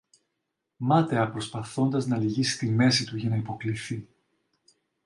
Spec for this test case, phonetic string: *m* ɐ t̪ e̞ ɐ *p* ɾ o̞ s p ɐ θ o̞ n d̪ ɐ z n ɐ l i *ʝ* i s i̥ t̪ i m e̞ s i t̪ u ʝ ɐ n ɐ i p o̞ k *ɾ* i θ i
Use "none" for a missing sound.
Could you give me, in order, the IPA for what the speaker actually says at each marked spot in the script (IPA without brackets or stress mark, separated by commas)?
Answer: m, p, ʝ, l